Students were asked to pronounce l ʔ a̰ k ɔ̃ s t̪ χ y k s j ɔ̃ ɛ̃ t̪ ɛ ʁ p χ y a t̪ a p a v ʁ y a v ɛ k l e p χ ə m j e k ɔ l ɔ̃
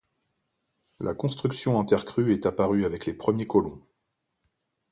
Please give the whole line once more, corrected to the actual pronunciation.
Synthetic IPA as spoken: l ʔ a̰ k ɔ̃ s t̪ χ y k s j ɔ̃ ɛ̃ t̪ ɛ ʁ k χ y ɛ t̪ a p a ʁ y a v ɛ k l e p χ ə m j e k ɔ l ɔ̃